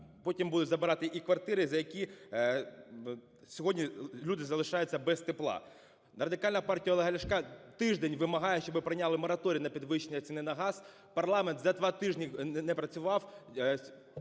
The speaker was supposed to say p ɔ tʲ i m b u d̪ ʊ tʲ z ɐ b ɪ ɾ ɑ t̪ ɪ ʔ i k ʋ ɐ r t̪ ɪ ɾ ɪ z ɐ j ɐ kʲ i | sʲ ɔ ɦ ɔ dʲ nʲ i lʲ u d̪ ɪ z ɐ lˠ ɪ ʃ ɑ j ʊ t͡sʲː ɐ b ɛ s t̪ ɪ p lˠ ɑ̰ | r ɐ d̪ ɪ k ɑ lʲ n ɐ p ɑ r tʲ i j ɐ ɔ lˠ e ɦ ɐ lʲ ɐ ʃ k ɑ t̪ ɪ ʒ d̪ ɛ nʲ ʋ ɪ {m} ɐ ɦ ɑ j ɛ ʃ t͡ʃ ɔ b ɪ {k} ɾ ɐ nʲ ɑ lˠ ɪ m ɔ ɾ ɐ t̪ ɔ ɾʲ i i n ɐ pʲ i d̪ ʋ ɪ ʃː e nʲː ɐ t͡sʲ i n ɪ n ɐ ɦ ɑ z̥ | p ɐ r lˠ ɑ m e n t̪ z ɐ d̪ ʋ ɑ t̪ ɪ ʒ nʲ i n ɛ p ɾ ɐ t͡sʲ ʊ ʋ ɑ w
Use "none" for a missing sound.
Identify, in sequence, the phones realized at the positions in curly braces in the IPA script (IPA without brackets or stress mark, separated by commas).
m, p